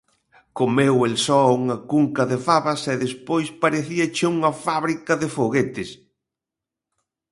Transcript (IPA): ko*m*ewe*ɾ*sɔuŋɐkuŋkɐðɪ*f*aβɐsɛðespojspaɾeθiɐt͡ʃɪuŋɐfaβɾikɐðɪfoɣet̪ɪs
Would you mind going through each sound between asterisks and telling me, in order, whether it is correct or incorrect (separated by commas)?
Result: correct, incorrect, correct